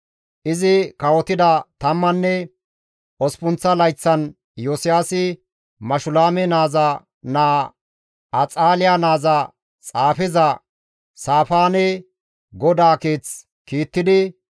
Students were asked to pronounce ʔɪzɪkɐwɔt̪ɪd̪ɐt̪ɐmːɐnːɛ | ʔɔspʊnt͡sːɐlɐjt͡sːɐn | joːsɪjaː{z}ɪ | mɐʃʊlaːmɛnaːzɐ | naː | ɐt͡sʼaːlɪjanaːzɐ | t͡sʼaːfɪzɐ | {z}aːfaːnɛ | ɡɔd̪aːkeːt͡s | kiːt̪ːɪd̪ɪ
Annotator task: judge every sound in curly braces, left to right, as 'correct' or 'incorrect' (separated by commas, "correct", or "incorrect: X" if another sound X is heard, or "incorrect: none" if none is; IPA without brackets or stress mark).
incorrect: s, incorrect: s